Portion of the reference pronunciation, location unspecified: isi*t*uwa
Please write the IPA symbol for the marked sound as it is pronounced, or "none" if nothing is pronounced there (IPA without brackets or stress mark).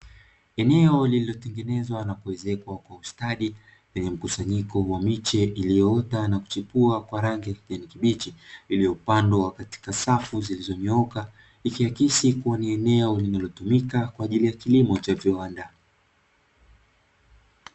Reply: k